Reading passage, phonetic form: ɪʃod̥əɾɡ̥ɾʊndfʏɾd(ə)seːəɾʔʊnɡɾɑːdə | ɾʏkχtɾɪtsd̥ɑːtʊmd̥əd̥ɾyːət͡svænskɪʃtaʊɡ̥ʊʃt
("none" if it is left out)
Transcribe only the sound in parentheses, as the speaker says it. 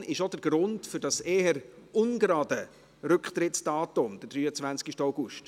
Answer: ɑ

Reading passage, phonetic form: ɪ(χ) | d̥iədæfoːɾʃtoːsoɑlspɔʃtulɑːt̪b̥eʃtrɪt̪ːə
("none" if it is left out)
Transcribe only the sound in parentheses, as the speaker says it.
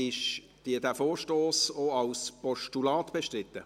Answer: ʃ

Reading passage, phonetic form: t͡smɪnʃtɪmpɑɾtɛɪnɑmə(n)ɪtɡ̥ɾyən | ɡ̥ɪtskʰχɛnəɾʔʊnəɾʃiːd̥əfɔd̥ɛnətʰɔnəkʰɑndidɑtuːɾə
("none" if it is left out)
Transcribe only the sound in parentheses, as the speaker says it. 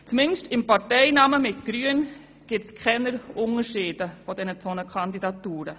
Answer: m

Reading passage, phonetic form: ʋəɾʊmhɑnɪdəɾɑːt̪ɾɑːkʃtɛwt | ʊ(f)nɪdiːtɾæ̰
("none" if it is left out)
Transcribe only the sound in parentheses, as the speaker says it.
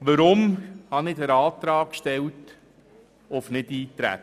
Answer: f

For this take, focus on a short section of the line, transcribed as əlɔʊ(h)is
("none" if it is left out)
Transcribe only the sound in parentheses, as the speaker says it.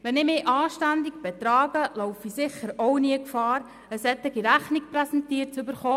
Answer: f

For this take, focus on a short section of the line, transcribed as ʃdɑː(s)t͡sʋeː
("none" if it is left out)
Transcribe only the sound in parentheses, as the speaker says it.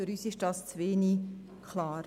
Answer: s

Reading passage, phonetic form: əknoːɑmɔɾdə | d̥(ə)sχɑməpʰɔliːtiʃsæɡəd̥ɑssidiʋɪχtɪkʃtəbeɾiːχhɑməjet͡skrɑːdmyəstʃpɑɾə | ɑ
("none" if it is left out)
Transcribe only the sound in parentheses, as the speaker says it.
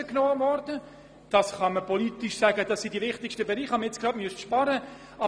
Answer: ɑ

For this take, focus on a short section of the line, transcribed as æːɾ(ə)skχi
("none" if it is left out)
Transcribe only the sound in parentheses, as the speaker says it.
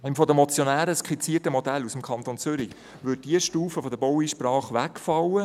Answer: ə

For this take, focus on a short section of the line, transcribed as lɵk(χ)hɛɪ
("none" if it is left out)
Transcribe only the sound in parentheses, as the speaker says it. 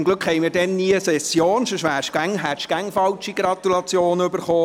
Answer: χ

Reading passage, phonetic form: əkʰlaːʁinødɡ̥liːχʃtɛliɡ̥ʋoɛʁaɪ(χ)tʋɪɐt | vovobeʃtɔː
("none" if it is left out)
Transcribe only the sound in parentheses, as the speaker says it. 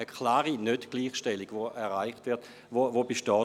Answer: χ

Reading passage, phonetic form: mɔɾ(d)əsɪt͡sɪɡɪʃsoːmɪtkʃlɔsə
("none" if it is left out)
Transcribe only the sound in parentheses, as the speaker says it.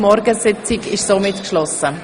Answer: ɡ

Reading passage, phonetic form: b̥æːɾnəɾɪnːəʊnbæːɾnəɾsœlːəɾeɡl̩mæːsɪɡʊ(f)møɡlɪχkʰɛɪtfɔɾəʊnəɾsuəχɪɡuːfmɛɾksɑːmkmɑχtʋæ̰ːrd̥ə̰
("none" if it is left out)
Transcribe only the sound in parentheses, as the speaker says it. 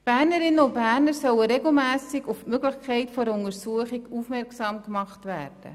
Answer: f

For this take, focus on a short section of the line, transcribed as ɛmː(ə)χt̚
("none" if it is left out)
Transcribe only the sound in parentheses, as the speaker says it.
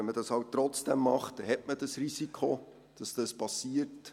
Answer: ɑ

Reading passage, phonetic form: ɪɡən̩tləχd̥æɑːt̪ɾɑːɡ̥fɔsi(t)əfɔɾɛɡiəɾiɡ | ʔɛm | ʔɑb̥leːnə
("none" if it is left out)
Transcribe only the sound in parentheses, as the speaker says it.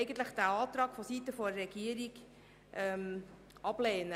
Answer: t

